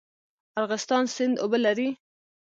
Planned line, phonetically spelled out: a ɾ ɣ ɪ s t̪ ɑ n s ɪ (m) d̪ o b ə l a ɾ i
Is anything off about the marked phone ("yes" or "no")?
yes